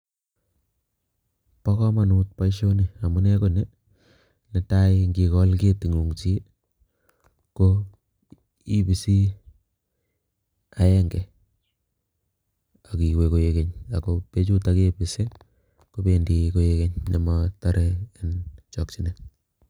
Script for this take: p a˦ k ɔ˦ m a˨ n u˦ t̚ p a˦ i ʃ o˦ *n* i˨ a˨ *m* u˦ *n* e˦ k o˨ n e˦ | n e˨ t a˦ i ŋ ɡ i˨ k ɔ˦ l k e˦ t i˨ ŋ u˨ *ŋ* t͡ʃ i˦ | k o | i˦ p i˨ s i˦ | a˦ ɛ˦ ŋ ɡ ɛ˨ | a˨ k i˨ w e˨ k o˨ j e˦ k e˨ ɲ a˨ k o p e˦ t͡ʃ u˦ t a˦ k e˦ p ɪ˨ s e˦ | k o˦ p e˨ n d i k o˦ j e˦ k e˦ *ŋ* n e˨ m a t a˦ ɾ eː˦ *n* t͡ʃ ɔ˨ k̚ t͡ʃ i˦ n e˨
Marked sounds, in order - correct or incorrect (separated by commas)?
correct, correct, correct, correct, incorrect, correct